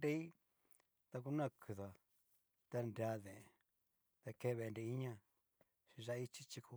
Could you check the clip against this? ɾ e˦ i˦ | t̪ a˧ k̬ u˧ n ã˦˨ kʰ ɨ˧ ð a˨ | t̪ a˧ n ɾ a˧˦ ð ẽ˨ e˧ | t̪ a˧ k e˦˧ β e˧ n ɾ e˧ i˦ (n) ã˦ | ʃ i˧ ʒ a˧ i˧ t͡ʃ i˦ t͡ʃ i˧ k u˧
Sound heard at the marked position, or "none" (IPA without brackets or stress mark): ɲ